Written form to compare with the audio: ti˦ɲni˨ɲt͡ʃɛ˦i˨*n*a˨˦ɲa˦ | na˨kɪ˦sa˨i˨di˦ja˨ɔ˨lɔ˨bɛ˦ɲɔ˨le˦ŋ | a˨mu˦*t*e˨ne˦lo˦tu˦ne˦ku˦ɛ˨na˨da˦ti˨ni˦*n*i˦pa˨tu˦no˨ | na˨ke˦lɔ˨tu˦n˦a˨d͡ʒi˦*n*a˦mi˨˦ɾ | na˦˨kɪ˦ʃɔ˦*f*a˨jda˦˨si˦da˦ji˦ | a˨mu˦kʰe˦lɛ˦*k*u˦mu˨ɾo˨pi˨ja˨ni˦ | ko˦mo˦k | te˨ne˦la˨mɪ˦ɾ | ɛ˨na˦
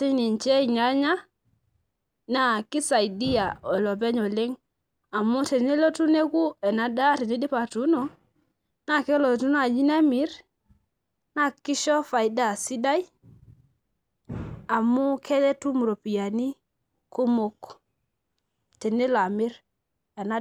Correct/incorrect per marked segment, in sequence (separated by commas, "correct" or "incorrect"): incorrect, correct, incorrect, correct, correct, incorrect